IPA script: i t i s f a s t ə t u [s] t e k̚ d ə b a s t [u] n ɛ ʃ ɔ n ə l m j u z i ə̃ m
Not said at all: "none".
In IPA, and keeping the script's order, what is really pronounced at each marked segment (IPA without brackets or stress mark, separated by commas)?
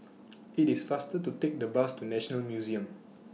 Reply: none, u